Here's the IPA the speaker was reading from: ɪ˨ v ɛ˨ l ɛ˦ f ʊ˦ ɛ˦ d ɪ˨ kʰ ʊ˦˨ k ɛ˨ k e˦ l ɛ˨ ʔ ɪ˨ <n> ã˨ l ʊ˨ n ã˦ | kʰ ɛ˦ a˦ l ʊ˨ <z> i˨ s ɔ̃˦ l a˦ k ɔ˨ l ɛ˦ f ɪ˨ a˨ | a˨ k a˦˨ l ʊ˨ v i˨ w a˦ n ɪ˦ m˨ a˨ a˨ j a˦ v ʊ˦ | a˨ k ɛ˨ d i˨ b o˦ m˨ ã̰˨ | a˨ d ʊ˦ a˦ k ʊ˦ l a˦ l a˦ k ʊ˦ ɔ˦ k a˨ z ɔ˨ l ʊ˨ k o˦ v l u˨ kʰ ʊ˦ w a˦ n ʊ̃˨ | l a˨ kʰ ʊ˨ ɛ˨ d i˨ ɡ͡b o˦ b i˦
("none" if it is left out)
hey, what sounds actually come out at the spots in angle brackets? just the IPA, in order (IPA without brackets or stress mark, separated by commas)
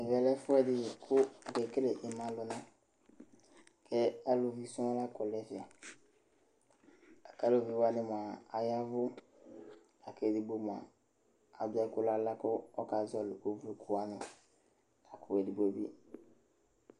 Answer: m, v